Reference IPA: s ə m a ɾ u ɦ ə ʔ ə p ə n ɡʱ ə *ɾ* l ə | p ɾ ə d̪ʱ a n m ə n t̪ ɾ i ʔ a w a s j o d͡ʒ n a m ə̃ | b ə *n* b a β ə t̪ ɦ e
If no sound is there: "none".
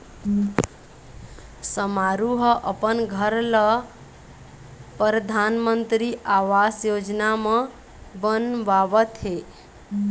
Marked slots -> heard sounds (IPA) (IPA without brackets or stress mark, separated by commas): ɾ, n